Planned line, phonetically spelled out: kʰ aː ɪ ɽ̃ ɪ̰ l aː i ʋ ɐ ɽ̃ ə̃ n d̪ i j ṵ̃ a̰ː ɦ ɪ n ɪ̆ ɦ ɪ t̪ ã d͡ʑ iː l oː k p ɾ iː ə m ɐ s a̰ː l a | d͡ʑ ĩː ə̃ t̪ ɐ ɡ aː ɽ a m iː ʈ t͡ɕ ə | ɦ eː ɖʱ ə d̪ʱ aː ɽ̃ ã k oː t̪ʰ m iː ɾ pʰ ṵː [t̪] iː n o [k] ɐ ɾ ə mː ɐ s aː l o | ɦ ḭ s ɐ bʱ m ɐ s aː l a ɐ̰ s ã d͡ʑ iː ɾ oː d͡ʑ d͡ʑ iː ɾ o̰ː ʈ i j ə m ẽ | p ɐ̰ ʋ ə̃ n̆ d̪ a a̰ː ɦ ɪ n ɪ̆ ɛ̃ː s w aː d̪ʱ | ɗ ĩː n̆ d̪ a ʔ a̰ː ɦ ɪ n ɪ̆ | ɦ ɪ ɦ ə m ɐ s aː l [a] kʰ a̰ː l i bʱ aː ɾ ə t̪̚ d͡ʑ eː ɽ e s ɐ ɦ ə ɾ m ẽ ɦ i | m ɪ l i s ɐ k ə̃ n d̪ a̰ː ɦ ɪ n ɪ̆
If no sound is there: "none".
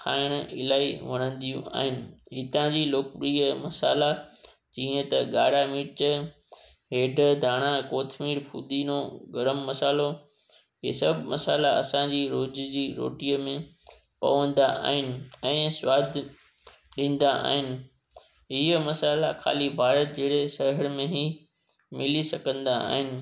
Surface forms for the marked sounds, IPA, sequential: d̪, ɡ, a

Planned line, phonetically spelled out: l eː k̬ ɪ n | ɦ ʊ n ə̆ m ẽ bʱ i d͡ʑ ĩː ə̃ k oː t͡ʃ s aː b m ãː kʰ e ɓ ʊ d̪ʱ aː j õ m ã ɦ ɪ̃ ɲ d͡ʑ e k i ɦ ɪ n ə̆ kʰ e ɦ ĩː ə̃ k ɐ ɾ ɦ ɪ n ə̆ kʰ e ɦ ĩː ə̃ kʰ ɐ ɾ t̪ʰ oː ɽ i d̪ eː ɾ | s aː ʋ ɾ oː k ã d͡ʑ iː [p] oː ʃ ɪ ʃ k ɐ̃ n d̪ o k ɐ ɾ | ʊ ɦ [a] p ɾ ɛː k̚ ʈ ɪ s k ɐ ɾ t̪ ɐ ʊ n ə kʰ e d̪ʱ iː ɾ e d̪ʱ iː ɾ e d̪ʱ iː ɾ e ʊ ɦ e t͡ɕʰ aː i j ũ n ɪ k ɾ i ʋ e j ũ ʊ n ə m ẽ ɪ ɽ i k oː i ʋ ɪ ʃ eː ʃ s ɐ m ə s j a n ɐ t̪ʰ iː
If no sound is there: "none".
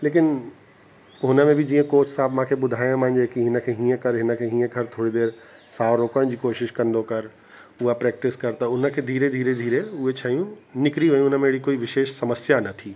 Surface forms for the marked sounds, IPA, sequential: k, a

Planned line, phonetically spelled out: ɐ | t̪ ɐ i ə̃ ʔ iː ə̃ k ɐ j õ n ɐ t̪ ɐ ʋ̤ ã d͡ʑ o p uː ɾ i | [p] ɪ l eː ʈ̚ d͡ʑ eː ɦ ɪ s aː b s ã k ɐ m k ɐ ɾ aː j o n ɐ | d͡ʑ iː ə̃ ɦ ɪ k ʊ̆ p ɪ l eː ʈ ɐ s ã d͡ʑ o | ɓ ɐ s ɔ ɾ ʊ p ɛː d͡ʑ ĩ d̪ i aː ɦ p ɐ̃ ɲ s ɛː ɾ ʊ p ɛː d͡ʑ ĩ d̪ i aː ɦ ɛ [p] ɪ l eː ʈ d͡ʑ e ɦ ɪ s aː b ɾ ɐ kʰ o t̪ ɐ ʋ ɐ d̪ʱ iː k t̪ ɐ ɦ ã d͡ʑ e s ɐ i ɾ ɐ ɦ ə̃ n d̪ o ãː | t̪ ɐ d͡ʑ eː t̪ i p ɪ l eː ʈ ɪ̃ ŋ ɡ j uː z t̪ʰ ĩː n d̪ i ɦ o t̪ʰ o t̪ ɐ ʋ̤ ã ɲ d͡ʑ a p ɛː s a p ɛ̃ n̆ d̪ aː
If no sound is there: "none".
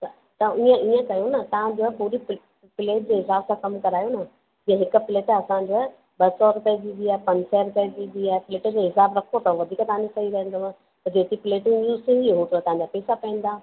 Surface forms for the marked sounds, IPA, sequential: p, p

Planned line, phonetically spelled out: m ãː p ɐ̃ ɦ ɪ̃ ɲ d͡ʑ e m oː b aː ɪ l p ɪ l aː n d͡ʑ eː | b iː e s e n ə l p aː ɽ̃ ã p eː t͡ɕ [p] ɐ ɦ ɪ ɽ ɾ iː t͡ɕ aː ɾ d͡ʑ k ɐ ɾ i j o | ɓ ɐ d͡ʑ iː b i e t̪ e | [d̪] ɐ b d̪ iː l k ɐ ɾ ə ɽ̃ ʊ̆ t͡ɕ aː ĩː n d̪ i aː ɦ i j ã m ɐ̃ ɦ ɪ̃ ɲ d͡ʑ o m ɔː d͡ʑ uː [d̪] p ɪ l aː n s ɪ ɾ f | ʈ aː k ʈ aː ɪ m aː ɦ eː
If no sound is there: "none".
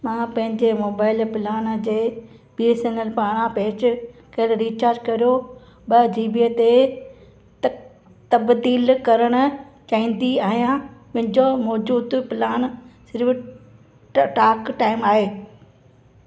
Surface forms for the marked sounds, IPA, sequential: k, t̪, d̪

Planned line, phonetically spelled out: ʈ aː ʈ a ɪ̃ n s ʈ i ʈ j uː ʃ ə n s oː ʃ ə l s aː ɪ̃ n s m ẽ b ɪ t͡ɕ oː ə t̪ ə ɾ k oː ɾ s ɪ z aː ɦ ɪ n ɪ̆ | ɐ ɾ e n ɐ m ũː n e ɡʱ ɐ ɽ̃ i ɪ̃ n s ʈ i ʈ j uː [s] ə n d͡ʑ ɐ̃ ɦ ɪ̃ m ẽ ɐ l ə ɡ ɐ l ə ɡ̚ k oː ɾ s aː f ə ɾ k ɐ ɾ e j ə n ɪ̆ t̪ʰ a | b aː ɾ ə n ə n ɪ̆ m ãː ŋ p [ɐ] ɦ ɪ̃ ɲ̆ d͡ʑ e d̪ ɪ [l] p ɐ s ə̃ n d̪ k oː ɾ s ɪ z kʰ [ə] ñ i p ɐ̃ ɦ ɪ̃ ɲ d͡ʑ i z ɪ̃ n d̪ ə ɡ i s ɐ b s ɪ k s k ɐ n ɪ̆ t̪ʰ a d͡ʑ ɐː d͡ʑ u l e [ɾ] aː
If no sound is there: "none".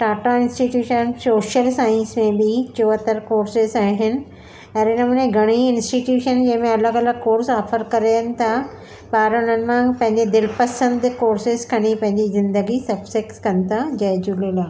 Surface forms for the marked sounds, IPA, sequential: ʃ, ɐ̃, l, ɐ, l

